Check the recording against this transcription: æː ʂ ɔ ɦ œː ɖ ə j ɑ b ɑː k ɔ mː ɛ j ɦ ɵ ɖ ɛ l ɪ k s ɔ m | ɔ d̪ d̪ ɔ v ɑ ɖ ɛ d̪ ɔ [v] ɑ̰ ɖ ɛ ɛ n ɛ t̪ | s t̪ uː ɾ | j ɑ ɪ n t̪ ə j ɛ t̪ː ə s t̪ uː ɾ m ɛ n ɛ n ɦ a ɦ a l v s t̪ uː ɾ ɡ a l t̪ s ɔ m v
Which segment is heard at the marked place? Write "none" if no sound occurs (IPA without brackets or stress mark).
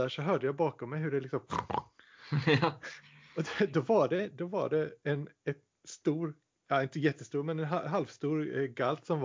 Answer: v